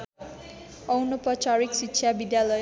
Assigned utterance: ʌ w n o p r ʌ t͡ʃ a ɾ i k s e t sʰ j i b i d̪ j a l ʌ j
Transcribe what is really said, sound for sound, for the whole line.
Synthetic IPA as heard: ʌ w n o p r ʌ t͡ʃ a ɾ i k s i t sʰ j a b i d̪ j a l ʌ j

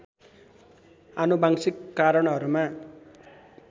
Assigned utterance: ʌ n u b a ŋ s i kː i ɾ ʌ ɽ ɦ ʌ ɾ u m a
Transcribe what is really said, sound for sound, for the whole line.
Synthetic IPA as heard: a n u b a ŋ s i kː a ɾ ʌ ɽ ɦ ʌ ɾ u m a

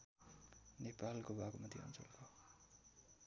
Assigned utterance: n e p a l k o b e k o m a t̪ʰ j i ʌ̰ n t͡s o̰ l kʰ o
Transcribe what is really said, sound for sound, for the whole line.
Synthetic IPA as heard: n e p a l k o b a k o m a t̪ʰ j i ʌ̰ n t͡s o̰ l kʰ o

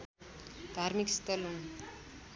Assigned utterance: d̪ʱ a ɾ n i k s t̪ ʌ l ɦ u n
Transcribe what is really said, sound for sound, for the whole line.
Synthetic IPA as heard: d̪ʱ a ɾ m i k s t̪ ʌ l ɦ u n

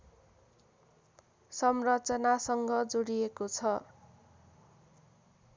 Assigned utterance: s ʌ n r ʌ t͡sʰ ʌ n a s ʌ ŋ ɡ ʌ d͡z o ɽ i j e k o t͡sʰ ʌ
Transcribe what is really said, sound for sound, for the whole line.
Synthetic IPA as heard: s ʌ m r ʌ t͡s ʌ n a s ʌ ŋ ɡ ʌ d͡z o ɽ i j e k o t͡sʰ ʌ

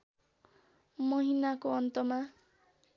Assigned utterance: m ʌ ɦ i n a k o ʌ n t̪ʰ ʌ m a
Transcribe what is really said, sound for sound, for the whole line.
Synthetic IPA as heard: m ʌ ɦ i n a k o ʌ n t̪ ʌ m a

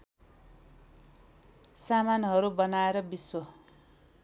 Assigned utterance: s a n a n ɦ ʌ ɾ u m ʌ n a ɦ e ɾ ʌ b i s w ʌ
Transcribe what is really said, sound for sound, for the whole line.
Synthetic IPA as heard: s a m a n ɦ ʌ ɾ u b ʌ n a e ɾ ʌ b i s w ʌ

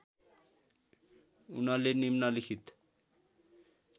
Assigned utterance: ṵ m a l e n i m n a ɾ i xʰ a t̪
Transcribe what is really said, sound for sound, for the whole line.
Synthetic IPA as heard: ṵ n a l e n i m n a l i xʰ i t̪

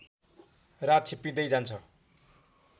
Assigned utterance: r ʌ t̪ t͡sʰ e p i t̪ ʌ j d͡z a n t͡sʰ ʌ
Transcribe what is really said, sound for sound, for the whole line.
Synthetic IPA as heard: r a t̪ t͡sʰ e p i d̪ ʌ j d͡z a n t͡sʰ ʌ

